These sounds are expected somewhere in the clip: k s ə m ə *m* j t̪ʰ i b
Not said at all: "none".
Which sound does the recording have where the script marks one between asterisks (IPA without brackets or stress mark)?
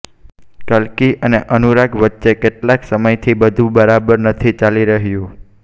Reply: none